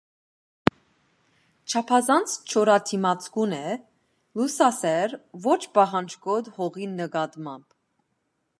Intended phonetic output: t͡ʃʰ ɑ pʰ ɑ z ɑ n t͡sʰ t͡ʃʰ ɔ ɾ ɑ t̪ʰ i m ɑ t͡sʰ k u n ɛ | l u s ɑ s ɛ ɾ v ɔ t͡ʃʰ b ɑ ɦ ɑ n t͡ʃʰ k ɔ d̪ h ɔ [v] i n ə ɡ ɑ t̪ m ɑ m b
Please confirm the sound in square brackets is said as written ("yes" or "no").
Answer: no